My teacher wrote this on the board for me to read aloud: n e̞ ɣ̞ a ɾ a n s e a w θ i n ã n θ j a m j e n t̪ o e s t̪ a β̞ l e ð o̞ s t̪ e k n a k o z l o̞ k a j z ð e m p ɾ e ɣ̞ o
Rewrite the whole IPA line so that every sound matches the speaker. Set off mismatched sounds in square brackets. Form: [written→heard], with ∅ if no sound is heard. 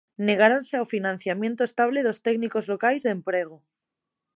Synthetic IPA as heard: n e̞ ɣ̞ a ɾ a n s e a w [θ→f] i n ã n θ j a m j e n t̪ o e s t̪ a β̞ l e ð o̞ s t̪ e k n [a→i] k o z l o̞ k a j z ð e m p ɾ e ɣ̞ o